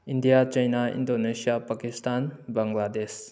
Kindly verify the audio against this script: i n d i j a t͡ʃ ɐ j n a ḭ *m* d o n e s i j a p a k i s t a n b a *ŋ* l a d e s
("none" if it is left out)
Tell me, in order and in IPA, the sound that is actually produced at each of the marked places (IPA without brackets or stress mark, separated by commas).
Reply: n, ŋ